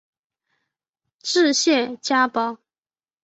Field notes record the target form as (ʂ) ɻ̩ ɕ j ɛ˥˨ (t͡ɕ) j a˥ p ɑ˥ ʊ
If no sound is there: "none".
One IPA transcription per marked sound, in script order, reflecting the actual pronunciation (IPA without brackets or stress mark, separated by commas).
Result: ʈ͡ʂ, t͡ɕ